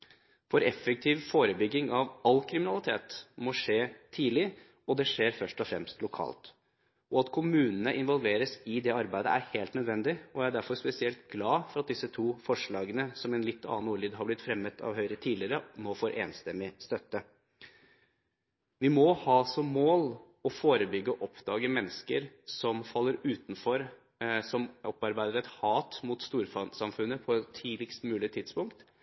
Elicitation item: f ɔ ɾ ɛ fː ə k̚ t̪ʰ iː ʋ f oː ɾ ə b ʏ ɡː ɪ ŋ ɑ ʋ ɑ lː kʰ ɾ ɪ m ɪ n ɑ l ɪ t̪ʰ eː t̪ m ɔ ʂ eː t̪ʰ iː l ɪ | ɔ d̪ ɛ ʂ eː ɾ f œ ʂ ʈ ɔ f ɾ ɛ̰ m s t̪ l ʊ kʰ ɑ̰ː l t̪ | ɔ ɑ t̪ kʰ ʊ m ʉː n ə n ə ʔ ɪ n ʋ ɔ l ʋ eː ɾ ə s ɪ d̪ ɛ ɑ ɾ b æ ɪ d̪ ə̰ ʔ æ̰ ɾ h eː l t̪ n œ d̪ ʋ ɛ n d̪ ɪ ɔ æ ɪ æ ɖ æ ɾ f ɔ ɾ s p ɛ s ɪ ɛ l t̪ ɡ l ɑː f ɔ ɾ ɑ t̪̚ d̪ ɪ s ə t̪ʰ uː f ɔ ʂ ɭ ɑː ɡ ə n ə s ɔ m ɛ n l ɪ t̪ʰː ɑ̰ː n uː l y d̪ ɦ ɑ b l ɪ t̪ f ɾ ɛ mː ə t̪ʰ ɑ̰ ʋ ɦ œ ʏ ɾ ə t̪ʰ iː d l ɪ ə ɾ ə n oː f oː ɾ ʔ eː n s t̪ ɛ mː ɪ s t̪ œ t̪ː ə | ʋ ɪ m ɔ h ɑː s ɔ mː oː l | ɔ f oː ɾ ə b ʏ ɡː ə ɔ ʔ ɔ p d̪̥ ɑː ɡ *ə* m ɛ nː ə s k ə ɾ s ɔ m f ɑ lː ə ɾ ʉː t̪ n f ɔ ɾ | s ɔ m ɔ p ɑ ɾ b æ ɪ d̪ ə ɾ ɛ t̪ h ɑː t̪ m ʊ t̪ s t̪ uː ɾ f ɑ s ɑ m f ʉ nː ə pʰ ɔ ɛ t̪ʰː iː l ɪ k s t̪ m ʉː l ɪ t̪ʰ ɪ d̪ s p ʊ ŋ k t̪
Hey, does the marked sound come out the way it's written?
yes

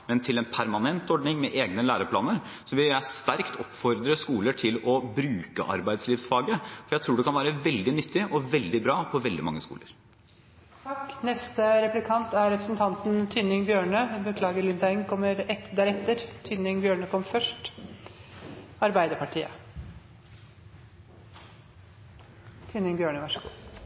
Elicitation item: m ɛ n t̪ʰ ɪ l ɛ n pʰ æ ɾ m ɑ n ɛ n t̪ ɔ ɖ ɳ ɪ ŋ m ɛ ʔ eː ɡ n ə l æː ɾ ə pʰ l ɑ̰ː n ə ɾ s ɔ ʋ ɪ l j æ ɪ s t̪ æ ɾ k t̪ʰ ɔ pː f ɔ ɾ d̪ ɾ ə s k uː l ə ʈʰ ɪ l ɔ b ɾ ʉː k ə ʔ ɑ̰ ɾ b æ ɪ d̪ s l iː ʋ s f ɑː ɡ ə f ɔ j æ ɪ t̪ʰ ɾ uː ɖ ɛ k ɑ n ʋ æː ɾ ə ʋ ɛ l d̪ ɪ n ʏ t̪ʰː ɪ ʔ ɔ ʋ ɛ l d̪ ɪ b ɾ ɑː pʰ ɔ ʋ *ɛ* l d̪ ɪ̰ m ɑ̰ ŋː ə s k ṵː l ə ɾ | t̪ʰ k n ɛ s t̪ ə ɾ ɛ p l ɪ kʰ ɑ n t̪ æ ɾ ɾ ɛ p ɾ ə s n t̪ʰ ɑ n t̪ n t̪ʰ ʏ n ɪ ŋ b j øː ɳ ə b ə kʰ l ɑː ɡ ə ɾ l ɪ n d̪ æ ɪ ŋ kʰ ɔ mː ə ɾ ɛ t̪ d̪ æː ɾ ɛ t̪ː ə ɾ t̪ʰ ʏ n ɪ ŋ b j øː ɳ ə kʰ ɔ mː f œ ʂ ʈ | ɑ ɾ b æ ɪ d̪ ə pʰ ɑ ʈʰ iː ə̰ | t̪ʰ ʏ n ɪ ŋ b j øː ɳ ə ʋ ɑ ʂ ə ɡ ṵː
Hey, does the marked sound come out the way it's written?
yes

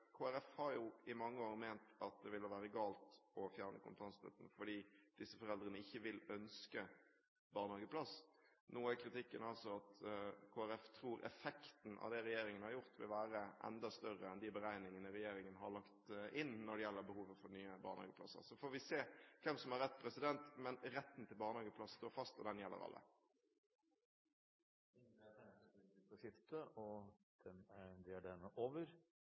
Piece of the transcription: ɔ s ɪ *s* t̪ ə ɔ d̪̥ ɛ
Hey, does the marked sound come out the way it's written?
no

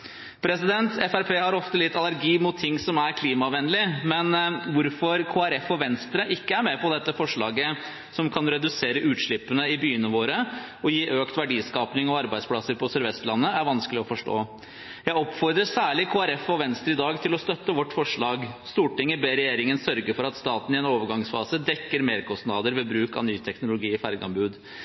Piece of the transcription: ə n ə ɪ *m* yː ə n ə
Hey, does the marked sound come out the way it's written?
no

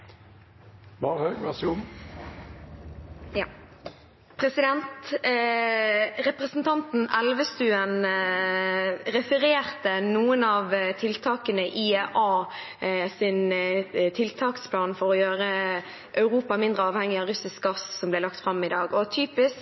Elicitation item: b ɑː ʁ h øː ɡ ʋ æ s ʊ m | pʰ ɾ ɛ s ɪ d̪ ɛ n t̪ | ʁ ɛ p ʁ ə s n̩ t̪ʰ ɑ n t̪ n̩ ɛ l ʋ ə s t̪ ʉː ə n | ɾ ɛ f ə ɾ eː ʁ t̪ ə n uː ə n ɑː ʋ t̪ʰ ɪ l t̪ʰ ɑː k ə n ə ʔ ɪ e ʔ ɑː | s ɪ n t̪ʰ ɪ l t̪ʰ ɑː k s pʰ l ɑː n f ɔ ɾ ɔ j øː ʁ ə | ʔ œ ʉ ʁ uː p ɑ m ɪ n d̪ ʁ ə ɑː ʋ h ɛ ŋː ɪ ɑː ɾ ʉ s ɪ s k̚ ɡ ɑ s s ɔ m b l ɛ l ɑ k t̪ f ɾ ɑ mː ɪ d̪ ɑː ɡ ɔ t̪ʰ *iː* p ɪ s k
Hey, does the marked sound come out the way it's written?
no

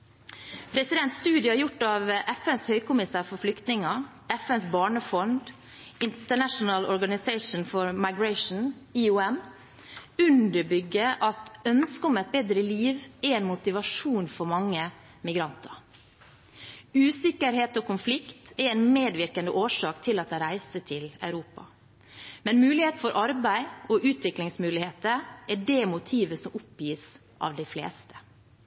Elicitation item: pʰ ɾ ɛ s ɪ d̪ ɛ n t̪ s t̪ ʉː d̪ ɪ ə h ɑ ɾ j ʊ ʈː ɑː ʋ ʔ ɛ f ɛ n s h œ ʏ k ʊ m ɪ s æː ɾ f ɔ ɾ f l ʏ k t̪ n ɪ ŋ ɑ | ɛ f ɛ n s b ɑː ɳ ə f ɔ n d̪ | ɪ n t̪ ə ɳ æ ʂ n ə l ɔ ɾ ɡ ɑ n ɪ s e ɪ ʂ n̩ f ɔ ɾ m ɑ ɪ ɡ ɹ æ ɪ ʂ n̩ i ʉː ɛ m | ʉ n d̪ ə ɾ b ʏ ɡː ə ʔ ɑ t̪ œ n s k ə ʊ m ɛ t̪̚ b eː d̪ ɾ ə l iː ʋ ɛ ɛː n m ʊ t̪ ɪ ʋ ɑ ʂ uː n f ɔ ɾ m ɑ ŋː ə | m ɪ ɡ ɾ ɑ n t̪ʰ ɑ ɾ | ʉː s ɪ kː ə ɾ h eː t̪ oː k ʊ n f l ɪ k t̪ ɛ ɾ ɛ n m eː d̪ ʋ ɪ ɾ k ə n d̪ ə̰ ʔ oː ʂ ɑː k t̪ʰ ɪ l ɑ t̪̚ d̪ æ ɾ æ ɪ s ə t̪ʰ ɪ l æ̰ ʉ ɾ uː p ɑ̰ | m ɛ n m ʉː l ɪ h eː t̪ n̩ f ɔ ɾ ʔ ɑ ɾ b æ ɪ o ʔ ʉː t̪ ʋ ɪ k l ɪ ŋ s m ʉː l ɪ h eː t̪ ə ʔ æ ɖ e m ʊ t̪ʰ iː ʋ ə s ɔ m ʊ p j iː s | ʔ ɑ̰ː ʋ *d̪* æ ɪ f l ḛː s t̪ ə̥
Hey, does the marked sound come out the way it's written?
yes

